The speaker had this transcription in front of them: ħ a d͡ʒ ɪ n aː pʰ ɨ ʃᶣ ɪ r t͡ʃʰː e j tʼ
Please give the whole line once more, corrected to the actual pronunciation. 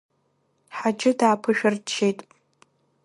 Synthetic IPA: ħ a d͡ʒ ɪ d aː pʰ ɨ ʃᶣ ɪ r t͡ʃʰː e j tʼ